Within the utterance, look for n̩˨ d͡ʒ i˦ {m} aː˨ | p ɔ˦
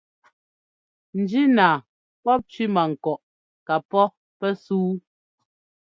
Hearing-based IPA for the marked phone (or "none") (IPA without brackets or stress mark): n